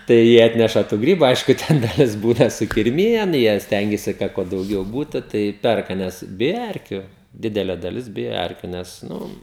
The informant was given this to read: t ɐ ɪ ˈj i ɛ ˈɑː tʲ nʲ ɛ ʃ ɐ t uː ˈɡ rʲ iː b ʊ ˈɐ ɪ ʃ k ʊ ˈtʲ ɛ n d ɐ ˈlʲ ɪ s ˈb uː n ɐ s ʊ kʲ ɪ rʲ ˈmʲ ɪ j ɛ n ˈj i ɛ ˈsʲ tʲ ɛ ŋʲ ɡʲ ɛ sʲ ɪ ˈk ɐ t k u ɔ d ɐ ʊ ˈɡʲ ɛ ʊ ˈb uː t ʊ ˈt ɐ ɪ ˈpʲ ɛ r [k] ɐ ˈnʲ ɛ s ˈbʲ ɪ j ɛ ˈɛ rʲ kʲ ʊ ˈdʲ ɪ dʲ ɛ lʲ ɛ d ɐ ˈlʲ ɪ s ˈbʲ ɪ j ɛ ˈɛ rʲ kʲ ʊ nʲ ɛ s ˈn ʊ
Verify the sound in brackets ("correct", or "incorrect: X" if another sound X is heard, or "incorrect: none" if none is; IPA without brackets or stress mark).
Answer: correct